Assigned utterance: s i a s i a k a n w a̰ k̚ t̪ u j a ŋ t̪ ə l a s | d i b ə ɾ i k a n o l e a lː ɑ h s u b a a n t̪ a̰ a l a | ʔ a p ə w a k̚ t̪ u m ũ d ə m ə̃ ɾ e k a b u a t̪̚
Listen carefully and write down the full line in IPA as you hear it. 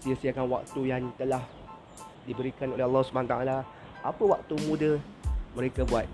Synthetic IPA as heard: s i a s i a k a n w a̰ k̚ t̪ u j a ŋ t̪ ə l a h | d i b ə ɾ i k a n o l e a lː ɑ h s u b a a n t̪ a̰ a l a | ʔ a p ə w a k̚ t̪ u m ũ d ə m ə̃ ɾ e k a b u a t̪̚